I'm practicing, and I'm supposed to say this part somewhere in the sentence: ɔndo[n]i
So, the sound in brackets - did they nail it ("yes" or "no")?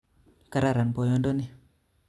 yes